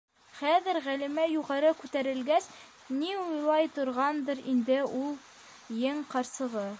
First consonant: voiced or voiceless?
voiceless